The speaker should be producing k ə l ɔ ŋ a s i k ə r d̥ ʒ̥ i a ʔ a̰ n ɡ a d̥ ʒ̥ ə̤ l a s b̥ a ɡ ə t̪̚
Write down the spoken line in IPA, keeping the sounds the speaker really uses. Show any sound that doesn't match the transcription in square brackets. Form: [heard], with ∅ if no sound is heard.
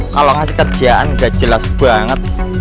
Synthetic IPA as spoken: k [a] l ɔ ŋ a s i k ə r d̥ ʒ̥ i a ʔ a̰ n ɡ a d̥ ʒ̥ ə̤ l a s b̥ a [ŋ] ə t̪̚